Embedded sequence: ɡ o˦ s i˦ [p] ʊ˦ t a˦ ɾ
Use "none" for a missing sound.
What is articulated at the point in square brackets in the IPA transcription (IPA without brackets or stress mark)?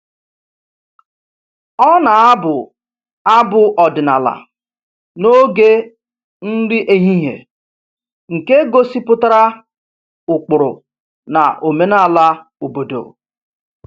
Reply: p